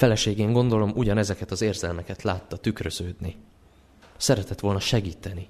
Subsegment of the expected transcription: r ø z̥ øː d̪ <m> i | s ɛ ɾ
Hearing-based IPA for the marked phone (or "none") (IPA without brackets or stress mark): n